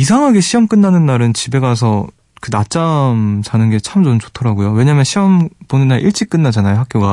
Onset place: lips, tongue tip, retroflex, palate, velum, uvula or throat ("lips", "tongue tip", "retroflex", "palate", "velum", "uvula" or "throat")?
tongue tip